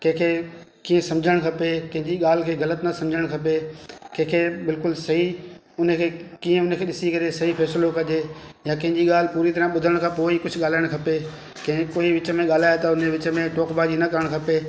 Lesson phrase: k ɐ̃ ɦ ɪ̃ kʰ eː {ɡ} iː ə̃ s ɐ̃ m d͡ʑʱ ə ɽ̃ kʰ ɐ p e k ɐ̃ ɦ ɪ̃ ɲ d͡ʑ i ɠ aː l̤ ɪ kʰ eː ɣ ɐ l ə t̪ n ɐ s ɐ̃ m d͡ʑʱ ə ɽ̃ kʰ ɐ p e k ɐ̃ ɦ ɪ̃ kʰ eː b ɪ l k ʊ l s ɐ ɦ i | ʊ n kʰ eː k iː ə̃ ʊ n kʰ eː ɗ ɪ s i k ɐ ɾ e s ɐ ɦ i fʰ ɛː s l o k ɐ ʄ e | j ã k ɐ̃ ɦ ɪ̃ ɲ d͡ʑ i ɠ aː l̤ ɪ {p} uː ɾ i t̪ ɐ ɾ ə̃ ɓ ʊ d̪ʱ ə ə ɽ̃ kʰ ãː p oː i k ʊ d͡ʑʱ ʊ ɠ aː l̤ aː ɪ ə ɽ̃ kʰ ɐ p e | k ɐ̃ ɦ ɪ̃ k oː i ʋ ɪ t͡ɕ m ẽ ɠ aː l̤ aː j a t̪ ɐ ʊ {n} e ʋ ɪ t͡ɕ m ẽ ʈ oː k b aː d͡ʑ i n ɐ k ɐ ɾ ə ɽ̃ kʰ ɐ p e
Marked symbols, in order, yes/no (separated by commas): no, yes, yes